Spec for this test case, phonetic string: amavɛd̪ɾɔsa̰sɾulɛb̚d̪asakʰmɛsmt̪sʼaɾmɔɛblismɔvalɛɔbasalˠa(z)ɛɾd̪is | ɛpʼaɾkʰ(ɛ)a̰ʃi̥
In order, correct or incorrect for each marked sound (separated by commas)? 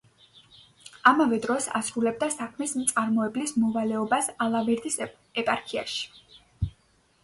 incorrect, incorrect